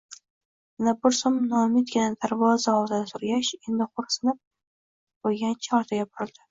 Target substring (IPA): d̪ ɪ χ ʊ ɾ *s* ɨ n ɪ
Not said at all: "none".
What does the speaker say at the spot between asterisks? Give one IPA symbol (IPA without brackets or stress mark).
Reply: s